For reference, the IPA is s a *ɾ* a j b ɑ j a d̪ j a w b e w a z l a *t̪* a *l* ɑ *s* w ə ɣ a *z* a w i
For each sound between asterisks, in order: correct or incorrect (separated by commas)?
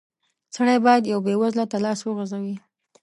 incorrect, correct, correct, correct, correct